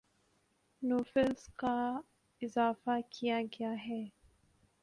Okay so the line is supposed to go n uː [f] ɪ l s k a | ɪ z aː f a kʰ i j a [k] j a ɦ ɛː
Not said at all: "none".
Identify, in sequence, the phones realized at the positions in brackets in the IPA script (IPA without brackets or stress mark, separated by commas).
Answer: f, ɡ